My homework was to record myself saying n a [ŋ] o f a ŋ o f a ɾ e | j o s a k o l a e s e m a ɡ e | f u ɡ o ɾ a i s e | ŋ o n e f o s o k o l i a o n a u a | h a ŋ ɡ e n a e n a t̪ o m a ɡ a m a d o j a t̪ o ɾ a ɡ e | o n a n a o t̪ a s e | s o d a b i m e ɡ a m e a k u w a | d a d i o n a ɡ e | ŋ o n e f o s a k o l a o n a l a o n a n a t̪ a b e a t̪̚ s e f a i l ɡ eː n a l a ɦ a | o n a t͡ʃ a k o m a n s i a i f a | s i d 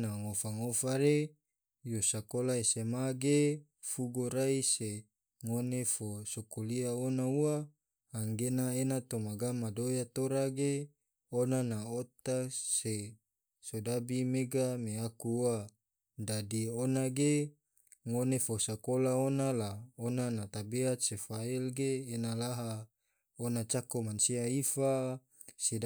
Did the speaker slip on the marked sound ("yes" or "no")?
no